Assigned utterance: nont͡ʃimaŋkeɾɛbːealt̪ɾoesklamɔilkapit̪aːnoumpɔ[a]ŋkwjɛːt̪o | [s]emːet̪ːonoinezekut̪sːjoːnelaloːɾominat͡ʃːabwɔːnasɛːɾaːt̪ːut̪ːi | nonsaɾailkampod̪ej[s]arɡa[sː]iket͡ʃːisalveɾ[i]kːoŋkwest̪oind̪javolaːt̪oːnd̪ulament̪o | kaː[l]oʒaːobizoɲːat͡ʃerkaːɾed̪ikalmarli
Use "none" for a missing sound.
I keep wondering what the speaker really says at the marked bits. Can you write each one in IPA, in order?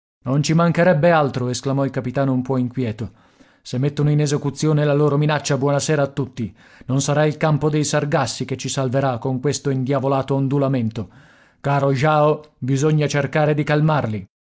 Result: i, s, s, sː, a, ɾ

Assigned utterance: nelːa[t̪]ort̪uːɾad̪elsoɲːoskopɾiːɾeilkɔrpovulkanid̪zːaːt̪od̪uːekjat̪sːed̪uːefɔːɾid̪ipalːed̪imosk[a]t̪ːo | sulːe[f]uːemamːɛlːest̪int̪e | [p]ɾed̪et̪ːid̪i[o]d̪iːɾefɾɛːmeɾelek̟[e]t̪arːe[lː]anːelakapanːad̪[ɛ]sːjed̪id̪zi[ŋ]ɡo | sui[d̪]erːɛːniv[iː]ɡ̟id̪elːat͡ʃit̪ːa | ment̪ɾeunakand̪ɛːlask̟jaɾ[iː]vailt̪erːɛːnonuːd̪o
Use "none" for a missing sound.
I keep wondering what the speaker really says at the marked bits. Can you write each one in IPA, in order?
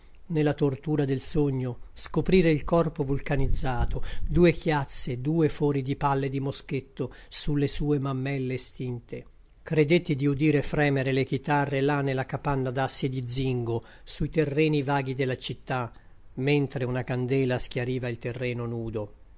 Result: t̪, e, s, k, u, i, l, a, ŋ, t̪, aː, iː

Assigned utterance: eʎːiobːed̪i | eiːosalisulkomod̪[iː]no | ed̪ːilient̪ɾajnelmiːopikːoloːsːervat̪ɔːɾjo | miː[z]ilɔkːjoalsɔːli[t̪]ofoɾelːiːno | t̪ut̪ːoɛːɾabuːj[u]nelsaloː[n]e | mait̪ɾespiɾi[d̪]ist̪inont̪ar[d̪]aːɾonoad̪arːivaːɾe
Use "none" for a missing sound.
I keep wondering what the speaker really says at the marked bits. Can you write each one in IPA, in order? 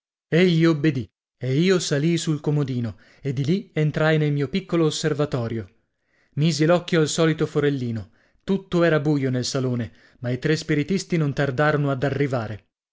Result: iː, z, t̪, o, n, t̪, d̪

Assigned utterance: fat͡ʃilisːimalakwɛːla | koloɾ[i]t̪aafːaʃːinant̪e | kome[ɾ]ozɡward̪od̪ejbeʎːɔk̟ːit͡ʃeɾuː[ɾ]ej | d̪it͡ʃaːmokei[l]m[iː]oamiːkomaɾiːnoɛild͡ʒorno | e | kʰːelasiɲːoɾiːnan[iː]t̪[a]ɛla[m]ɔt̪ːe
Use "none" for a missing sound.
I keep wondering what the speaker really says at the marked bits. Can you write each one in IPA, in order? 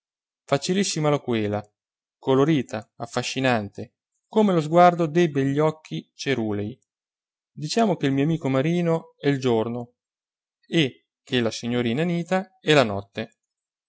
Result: iː, l, l, l, i, iː, a, n

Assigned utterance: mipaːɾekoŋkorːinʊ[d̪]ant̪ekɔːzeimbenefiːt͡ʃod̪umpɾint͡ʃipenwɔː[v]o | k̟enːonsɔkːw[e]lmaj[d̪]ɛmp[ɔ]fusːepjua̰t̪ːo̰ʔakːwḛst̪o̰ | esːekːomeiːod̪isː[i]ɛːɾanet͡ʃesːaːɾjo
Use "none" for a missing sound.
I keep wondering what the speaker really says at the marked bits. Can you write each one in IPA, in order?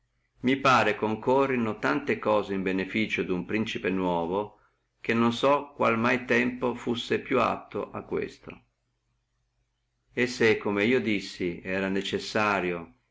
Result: t̪, v, a, t̪, o, i

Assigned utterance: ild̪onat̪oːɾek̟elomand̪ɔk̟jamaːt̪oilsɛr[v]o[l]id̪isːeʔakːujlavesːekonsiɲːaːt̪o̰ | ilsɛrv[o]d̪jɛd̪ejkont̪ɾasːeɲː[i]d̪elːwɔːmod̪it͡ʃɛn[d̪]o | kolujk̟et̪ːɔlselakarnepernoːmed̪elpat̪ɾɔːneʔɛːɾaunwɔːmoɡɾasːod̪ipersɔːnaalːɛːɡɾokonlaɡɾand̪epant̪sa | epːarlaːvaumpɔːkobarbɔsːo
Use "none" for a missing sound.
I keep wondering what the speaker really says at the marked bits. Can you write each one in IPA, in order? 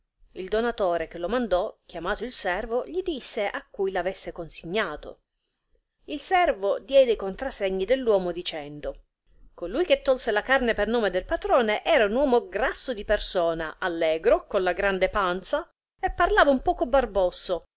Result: v, ʎ, o, i, d̪

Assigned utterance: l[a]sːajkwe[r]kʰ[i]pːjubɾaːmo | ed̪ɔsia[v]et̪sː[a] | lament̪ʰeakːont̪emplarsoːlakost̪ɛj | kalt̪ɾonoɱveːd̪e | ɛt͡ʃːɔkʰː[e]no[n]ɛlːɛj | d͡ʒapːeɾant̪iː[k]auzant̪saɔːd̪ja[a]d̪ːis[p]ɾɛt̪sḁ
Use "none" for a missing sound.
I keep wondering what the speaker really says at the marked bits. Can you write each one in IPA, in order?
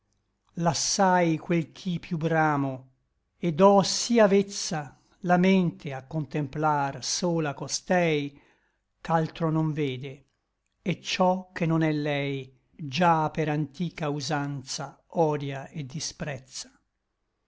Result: a, l, i, v, a, e, n, k, e, p

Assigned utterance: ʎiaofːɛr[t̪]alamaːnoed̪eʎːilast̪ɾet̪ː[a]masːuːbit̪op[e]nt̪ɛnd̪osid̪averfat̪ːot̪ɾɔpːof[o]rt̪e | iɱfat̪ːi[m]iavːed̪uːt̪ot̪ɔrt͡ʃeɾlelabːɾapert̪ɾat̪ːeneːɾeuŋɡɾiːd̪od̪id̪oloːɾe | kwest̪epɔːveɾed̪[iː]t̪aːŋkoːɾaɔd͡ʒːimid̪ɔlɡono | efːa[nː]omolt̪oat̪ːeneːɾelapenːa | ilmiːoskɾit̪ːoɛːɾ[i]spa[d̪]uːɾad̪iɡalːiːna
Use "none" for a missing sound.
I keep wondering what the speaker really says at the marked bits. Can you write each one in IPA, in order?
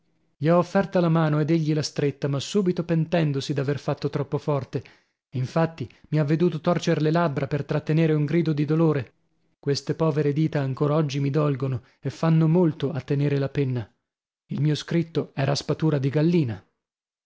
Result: t̪, a, e, ɔ, m, iː, nː, a, t̪

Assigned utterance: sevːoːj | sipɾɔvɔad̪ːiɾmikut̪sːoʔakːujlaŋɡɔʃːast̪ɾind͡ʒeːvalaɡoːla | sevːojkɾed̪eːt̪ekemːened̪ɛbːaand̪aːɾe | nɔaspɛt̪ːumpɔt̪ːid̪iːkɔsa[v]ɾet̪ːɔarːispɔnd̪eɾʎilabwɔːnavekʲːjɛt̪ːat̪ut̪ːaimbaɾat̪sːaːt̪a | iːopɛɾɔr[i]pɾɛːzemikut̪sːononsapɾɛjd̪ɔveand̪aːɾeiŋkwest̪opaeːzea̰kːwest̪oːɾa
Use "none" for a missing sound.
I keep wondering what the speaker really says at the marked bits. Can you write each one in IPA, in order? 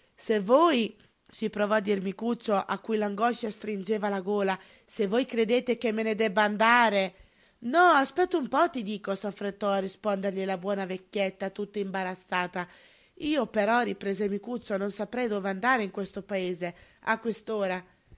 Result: f, i

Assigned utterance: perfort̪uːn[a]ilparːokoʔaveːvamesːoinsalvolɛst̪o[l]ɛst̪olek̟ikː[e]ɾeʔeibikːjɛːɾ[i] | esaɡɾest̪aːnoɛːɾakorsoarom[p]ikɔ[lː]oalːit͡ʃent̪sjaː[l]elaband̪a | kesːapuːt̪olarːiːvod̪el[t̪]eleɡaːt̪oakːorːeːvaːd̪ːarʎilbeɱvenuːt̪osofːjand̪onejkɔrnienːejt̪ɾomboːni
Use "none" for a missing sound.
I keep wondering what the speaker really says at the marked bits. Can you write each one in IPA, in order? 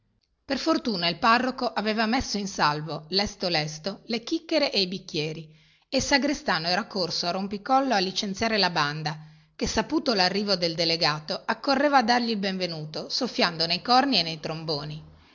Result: a, l, e, i, p, lː, ɾ, d̪

